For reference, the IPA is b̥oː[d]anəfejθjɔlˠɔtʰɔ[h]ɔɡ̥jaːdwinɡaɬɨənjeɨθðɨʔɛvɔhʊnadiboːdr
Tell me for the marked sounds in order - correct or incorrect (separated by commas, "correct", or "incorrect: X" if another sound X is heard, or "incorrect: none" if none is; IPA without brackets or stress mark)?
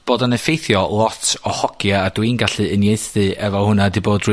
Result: correct, correct